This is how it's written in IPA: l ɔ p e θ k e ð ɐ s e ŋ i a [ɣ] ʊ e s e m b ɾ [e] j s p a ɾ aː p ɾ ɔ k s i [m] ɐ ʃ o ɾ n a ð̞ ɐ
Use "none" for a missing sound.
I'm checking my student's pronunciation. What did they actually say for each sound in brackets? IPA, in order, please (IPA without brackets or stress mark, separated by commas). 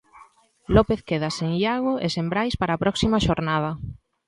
ɣ, a, m